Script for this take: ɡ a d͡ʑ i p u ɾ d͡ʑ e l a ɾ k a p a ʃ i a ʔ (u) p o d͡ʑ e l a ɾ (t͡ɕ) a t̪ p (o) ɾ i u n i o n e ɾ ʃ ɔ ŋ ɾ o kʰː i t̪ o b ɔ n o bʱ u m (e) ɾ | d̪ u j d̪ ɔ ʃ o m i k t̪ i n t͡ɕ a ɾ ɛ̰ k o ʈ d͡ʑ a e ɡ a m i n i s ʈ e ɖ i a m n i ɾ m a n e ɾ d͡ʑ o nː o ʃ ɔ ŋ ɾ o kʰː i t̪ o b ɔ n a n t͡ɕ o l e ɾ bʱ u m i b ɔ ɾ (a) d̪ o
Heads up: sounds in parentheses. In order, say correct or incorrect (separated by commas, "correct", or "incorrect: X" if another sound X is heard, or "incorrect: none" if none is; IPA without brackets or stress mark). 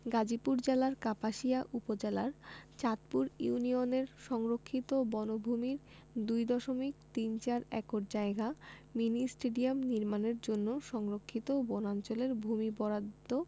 correct, correct, incorrect: u, incorrect: i, correct